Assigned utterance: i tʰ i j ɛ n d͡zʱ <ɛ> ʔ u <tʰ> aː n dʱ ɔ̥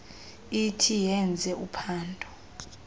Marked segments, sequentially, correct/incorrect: correct, incorrect: pʰ

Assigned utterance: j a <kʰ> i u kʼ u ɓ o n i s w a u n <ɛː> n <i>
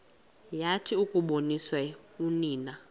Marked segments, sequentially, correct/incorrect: incorrect: tʰ, incorrect: iː, incorrect: a

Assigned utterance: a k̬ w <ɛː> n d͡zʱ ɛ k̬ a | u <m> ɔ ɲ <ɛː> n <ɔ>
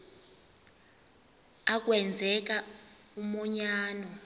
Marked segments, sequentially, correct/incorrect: incorrect: ɛ, correct, incorrect: aː, correct

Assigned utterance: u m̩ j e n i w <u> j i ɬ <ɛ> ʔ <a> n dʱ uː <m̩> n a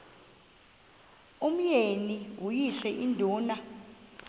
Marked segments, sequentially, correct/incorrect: correct, correct, incorrect: i, incorrect: none

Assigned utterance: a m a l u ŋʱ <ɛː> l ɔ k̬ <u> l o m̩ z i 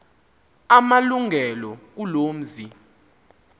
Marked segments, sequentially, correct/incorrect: incorrect: ɛ, correct

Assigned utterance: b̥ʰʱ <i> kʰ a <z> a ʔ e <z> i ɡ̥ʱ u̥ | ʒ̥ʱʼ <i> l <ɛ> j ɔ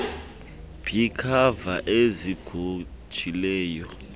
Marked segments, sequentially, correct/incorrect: correct, incorrect: v, correct, correct, incorrect: ɛː

